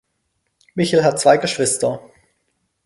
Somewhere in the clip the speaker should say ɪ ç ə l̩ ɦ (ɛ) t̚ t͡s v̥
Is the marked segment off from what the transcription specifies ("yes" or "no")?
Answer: yes